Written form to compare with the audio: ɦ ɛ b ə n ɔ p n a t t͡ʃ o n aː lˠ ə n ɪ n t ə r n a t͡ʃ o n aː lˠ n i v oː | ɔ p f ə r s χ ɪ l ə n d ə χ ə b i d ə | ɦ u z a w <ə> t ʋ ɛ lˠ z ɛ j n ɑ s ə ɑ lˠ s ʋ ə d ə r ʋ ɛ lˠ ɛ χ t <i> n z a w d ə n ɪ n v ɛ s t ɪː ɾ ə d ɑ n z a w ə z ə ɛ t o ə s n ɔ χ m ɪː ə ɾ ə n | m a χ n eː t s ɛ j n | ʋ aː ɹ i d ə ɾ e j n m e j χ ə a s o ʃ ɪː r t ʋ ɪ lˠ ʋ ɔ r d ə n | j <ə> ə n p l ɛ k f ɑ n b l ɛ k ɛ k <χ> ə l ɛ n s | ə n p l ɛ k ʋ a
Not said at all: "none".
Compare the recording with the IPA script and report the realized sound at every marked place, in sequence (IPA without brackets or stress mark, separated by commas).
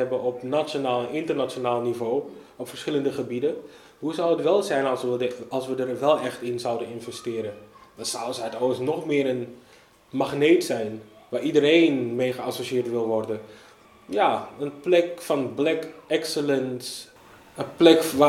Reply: ə, ɪ, a, s